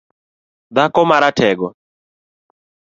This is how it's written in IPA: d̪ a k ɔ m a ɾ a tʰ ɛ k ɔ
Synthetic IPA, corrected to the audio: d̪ a k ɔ m a ɾ a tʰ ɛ ɡ ɔ